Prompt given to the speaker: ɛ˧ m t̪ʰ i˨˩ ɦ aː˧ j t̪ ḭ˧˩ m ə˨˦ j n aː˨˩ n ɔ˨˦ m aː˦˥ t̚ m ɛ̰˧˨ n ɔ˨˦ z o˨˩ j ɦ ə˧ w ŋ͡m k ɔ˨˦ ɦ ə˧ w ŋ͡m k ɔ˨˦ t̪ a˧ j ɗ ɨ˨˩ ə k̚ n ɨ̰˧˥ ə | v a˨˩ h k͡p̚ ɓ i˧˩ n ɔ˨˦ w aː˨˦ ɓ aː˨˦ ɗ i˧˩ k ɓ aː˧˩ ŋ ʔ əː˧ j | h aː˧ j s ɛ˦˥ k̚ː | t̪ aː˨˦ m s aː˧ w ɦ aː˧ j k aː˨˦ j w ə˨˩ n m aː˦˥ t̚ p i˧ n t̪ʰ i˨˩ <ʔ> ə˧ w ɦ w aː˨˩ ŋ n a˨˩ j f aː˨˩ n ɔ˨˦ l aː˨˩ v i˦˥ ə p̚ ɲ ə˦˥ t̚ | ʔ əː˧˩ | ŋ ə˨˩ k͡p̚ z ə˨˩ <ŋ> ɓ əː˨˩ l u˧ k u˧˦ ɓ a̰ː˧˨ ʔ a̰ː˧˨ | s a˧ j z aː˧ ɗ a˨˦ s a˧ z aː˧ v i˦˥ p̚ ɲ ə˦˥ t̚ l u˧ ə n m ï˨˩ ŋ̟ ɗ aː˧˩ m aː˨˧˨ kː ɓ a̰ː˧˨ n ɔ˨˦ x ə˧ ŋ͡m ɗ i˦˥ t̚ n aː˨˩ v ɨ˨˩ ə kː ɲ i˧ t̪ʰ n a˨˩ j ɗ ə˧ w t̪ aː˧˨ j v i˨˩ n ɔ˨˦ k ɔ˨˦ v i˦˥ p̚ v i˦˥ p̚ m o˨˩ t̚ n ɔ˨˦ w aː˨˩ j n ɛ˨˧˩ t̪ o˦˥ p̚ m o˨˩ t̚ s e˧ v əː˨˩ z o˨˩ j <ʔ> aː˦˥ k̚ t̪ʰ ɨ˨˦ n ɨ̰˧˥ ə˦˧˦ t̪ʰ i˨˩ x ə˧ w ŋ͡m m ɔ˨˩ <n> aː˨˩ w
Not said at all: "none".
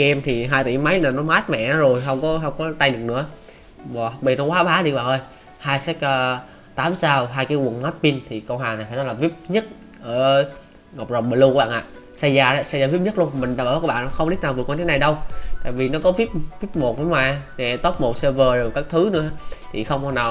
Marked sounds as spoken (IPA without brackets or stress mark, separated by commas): k, ŋ͡m, k, n